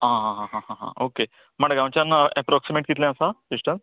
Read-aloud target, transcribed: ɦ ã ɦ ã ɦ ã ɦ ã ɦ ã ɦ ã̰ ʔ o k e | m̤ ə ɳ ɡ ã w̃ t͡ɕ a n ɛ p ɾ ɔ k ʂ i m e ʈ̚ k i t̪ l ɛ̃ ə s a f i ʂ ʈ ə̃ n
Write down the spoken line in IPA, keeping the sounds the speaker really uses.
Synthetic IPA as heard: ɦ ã ɦ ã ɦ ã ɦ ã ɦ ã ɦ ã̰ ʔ o k e | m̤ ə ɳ ɡ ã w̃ t͡ɕ a n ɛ p ɾ ɔ k s i m e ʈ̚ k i t̪ l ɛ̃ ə s a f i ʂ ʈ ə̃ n

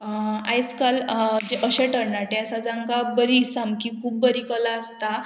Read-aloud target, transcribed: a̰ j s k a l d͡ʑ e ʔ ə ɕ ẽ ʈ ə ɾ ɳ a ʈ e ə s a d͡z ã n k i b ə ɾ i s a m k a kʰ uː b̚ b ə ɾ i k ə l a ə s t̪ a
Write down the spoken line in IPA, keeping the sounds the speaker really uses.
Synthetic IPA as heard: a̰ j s k a l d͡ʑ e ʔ ə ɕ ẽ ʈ ə ɾ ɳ a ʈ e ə s a d͡z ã ŋ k a b ə ɾ i s a m k i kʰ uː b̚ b ə ɾ i k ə l a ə s t̪ a

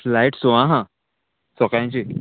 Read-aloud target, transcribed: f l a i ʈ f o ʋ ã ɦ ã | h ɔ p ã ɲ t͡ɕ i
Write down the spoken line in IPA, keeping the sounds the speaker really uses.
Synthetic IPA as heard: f l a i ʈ s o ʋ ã ɦ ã | s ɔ k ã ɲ t͡ɕ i

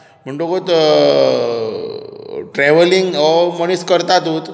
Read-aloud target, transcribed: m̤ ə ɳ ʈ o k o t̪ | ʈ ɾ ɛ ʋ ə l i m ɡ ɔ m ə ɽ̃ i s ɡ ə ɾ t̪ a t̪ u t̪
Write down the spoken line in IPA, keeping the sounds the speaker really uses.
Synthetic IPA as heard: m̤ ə ɳ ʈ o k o t̪ | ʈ ɾ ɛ ʋ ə l i ŋ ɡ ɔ m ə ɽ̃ i s k ə ɾ t̪ a t̪ u t̪

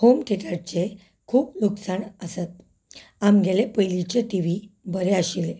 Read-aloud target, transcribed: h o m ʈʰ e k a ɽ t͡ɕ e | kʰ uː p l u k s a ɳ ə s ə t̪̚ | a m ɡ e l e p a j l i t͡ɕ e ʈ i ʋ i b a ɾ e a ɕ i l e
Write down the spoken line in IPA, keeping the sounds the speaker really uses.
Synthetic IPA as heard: h o m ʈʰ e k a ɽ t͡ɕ e | kʰ uː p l u k s a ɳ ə s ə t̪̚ | a m ɡ e l e p ə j l i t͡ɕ e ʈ i ʋ i b ə ɾ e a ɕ i l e

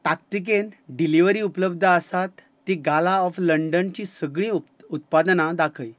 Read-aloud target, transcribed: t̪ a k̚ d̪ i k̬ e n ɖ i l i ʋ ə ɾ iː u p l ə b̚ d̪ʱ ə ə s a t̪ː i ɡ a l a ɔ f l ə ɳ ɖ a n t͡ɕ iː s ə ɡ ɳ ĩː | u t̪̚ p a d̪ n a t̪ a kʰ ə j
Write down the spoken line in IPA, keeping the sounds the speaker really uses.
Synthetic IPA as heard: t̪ a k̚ t̪ i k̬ e n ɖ i l i ʋ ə ɾ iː u p l ə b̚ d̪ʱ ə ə s a t̪ː i ɡ a l a ɔ f l ə ɳ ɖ ə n t͡ɕ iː s ə ɡ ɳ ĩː | u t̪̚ p a d̪ n a d̪ a kʰ ə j

